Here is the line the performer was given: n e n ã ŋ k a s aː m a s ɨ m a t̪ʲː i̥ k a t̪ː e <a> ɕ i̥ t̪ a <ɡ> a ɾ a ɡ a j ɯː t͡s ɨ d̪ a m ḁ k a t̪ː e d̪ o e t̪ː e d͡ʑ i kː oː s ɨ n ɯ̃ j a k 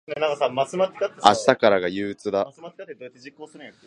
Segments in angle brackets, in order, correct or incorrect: correct, incorrect: k

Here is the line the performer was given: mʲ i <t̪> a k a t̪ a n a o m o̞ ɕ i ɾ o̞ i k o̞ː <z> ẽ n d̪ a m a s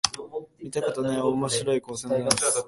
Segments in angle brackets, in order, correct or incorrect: correct, incorrect: s

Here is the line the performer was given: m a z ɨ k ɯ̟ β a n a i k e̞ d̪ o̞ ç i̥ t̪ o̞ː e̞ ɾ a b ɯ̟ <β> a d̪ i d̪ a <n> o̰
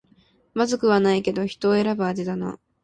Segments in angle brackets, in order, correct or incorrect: incorrect: none, correct

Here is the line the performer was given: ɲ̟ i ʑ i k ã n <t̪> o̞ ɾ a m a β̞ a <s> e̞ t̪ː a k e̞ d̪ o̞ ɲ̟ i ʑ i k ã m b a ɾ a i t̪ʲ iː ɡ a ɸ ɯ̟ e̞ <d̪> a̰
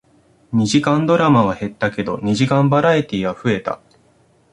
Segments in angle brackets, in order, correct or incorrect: incorrect: d̪, incorrect: h, incorrect: t̪

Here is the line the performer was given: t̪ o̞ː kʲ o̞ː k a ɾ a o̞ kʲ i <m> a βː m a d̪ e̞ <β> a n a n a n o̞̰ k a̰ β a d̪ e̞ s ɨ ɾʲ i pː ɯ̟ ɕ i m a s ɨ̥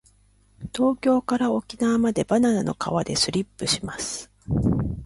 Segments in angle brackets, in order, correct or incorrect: incorrect: n, incorrect: b

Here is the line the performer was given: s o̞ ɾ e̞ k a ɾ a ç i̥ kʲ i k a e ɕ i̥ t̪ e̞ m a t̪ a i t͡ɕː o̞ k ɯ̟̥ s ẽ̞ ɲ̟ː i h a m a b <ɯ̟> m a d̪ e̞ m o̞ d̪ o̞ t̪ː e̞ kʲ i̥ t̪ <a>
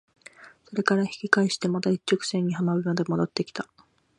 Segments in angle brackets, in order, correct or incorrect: correct, correct

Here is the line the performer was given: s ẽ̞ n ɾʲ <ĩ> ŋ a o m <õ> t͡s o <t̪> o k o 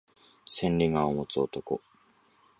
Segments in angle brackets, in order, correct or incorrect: incorrect: i, incorrect: o, correct

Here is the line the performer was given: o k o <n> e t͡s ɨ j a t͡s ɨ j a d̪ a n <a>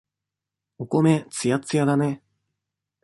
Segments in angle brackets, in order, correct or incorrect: incorrect: m, incorrect: e

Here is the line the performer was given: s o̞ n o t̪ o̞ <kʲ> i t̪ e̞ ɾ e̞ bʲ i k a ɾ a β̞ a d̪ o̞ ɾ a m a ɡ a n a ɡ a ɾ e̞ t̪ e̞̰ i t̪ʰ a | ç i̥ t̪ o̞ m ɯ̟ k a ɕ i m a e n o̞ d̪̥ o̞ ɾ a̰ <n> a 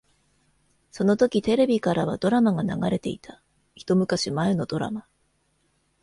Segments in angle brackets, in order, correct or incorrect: correct, incorrect: m

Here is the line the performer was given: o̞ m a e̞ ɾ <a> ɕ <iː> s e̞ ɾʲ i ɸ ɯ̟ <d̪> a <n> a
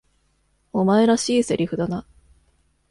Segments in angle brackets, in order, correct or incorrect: correct, correct, correct, correct

